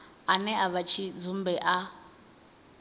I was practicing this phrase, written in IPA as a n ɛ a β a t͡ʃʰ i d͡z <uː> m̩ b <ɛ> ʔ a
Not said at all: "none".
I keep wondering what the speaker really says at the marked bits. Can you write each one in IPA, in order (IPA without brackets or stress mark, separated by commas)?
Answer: u, ɛ